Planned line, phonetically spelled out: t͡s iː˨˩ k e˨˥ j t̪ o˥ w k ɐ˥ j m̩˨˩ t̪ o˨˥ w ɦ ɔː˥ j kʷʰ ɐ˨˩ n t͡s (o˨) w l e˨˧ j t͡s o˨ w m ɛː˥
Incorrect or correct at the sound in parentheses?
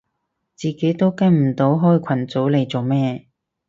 incorrect: o˨˥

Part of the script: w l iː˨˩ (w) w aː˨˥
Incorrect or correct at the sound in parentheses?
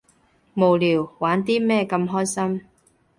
correct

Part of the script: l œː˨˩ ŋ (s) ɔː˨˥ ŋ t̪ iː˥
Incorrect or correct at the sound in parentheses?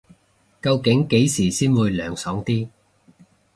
correct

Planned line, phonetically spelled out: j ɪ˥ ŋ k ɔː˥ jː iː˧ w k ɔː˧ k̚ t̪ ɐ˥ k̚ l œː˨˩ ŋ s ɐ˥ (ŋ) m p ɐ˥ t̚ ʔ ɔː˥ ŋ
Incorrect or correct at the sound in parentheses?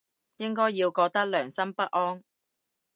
incorrect: none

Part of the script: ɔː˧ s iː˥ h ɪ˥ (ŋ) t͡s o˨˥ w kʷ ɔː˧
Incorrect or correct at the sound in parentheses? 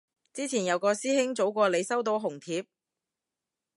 correct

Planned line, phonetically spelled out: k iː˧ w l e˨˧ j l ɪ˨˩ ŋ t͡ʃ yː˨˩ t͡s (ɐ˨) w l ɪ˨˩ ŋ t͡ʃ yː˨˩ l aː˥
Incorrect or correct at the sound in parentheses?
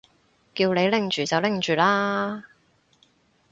correct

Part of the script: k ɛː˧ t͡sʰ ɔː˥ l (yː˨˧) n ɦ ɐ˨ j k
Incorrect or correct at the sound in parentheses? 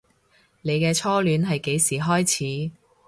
correct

